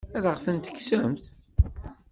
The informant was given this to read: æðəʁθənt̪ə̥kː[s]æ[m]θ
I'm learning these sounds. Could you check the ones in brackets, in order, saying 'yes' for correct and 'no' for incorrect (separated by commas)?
yes, yes